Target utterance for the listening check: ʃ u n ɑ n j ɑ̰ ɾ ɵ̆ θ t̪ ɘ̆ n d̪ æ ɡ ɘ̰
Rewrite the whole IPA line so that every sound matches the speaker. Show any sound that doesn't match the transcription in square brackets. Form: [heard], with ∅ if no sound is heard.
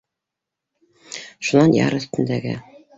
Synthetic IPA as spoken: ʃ u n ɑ n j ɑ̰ ɾ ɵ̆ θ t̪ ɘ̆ n d̪ æ ɡ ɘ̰

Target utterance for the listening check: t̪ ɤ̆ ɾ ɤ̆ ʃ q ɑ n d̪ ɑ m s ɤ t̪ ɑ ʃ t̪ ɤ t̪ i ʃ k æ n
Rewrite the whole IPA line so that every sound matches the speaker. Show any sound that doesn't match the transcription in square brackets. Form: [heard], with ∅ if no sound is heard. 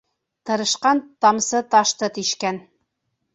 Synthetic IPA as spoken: t̪ ɤ̆ ɾ ɤ̆ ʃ q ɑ n [t̪] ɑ m s ɤ t̪ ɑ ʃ t̪ ɤ t̪ i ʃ k æ n

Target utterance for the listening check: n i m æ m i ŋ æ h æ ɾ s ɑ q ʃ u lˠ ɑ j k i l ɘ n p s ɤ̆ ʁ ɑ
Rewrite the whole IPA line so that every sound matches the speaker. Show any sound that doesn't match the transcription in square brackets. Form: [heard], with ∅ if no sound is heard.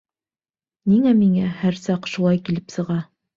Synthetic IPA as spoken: n i [ŋ] æ m i ŋ æ h æ ɾ s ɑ q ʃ u lˠ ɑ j k i l ɘ [∅] p s ɤ̆ ʁ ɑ

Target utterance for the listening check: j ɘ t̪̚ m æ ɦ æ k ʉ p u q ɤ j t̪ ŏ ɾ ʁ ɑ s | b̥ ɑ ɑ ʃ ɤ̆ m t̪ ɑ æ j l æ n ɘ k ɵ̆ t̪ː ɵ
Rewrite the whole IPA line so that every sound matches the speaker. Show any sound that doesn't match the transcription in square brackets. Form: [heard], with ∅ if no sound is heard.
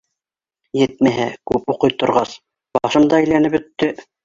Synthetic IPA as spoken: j ɘ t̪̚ m æ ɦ æ k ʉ p u q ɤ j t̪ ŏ ɾ ʁ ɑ s | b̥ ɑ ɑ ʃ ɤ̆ m [d̪] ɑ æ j l æ n ɘ [p] ɵ̆ t̪ː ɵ

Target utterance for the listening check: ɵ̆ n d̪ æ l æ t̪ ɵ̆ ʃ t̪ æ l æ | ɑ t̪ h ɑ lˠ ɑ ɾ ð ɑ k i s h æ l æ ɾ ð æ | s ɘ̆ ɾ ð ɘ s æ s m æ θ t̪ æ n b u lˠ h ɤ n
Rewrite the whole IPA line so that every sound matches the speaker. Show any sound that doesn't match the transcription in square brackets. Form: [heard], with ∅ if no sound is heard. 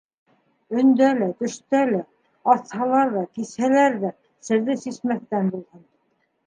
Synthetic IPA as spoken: ɵ̆ n d̪ æ l æ t̪ ɵ̆ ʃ t̪ æ l æ | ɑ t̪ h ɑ lˠ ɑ ɾ ð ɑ k i s h æ l æ ɾ ð æ | s ɘ̆ ɾ ð ɘ s [i] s m æ θ t̪ æ n b u lˠ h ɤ n

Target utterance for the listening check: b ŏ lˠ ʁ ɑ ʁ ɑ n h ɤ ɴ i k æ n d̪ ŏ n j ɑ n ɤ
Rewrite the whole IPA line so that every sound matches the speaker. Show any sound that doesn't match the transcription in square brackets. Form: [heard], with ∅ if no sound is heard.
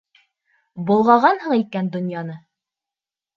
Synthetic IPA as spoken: b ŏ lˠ ʁ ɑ ʁ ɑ n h ɤ ɴ i k æ n d̪ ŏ n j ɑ n ɤ

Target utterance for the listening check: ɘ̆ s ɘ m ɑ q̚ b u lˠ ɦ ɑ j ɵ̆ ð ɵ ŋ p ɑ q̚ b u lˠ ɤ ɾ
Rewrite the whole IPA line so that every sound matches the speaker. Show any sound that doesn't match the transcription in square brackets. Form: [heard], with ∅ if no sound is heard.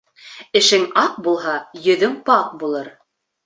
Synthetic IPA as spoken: ɘ̆ [ʃ] ɘ [ŋ] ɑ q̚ b u lˠ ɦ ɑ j ɵ̆ ð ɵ ŋ p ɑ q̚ b u lˠ ɤ ɾ

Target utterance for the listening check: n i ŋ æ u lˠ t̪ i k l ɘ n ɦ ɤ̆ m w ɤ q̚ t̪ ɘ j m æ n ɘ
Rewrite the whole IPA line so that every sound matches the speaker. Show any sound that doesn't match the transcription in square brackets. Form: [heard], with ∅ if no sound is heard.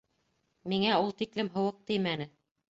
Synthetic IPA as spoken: [m] i ŋ æ u lˠ t̪ i k l ɘ [m] ɦ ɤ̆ [∅] w ɤ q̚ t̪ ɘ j m æ n ɘ

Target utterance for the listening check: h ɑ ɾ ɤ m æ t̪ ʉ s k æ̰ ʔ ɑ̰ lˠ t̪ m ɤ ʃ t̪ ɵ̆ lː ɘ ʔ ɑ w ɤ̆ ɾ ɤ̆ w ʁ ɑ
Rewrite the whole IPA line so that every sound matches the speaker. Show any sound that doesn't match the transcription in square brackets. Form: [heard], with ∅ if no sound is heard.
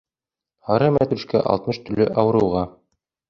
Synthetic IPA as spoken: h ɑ ɾ ɤ m æ t̪ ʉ [ʃ] k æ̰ ʔ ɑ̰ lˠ t̪ m ɤ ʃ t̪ ɵ̆ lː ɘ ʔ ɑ w ɤ̆ ɾ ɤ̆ w ʁ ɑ

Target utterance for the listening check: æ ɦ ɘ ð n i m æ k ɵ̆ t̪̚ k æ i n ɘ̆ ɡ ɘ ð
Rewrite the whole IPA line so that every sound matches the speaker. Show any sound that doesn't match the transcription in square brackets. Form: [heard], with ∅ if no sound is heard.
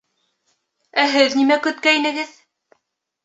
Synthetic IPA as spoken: æ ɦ ɘ ð n i m æ k ɵ̆ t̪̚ k æ i n ɘ̆ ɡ ɘ ð

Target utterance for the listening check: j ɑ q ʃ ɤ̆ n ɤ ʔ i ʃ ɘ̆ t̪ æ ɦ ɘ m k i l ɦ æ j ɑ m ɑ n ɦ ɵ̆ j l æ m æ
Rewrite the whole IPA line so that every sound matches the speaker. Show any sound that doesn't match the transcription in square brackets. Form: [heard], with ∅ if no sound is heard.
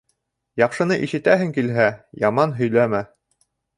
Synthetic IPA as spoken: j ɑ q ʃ ɤ̆ n ɤ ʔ i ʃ ɘ̆ t̪ æ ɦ ɘ [ŋ] k i l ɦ æ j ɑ m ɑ n ɦ ɵ̆ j l æ m æ

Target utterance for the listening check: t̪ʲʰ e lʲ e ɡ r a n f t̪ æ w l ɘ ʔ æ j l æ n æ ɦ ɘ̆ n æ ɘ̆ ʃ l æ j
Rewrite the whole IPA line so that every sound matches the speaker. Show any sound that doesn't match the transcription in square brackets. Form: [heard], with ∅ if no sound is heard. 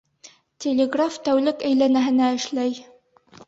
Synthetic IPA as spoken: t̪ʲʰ e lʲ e ɡ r a [∅] f t̪ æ w l ɘ [k] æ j l æ n æ ɦ ɘ̆ n æ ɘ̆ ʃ l æ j

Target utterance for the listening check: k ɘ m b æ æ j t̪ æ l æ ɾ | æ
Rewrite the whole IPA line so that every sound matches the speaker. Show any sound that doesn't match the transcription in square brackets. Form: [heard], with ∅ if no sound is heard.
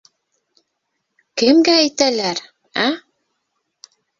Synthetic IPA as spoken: k ɘ m [ɡ] æ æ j t̪ æ l æ ɾ | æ

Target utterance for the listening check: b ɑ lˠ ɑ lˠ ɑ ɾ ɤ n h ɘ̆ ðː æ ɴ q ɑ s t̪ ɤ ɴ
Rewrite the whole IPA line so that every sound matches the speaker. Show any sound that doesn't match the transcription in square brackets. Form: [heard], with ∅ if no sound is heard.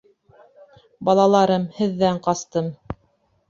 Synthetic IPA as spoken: b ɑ lˠ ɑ lˠ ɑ ɾ ɤ [m] h ɘ̆ ðː æ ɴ q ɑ s t̪ ɤ [m]

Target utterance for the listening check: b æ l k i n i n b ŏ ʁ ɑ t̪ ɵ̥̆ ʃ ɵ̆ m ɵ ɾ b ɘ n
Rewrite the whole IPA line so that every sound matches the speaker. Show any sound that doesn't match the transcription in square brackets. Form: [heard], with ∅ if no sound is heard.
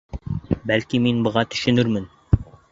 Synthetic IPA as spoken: b æ l k i [m] i n b [ɤ̆] ʁ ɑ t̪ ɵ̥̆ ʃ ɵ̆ [n] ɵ ɾ [m] ɘ n

